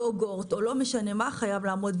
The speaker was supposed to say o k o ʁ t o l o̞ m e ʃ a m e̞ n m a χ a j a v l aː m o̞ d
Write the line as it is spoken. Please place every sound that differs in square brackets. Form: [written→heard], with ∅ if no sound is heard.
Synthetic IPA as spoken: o [k→ɡ] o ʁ t o l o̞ m e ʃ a [m→n] e̞ [n→∅] m a χ a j a v l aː m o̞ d